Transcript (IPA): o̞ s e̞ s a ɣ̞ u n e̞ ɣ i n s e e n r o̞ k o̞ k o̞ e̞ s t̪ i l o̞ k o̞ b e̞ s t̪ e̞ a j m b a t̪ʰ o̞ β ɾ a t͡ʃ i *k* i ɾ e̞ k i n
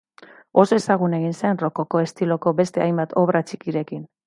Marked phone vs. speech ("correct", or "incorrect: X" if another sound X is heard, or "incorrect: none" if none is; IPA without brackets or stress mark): correct